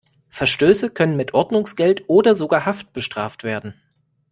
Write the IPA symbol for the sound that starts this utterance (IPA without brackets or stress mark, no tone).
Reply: f